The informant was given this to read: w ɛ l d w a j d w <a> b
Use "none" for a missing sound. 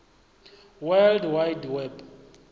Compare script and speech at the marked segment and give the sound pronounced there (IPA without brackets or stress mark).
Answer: ɛ